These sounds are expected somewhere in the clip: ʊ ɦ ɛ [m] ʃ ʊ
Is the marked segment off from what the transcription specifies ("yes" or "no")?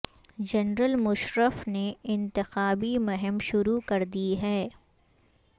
no